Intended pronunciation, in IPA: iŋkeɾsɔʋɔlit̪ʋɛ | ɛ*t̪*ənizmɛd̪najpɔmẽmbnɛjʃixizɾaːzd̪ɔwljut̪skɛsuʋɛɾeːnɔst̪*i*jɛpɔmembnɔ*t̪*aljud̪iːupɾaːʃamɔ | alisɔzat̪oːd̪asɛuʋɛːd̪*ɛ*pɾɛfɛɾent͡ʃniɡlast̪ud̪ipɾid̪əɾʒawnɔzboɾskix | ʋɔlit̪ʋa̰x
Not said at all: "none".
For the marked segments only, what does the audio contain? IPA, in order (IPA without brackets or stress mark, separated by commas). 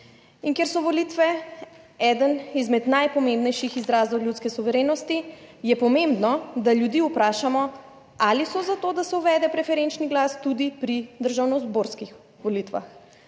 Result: d̪, i, d̪, ɛ